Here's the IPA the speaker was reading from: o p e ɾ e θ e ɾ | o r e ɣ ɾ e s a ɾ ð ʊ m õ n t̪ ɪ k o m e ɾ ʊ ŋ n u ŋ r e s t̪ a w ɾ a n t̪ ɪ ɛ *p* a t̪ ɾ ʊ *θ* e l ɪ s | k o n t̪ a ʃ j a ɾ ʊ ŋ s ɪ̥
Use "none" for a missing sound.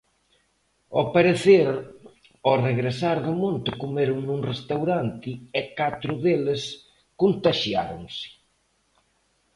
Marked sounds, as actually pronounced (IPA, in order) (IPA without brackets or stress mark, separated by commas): k, ð